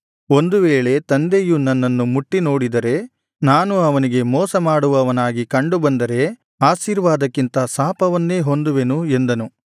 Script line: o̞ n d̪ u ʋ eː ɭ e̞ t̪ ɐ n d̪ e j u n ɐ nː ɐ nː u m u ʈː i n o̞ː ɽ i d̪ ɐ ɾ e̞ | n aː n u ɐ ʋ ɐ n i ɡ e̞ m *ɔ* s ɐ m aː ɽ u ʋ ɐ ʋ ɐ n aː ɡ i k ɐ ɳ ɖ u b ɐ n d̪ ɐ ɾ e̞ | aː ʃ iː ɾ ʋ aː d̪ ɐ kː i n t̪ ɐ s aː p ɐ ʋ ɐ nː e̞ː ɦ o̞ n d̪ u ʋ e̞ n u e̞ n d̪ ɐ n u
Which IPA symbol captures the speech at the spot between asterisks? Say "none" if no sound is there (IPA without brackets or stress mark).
ɔː